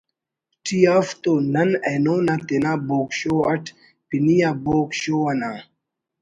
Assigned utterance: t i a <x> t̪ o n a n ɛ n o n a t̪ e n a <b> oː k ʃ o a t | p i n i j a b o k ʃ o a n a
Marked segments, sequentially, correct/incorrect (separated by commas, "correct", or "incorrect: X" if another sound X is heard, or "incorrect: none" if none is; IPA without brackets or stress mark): incorrect: f, correct